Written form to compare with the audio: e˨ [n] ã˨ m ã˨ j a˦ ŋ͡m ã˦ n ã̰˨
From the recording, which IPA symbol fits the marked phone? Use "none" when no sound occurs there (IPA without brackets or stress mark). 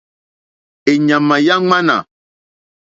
ɲ